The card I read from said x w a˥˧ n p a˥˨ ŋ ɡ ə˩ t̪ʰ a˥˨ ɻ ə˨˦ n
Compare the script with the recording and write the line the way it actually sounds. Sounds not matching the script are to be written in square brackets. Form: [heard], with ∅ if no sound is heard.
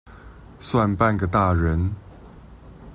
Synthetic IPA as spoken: [s] w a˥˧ n p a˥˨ [n] ɡ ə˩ [t̪] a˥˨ ɻ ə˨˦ n